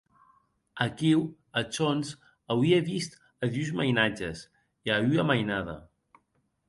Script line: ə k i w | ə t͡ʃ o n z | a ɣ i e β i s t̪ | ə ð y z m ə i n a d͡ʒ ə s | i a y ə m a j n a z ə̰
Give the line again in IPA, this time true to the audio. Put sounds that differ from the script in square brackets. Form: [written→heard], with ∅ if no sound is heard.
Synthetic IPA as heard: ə k i w | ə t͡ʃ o n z | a [ɣ→w] i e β i s t̪ | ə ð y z m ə [i→j] n a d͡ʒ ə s | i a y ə m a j n a [z→ð] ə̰